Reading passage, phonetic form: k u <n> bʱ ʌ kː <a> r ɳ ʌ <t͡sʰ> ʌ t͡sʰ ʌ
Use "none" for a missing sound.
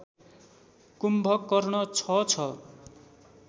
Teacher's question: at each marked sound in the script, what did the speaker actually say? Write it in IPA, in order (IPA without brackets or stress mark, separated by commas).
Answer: m, ʌ, t͡sʰ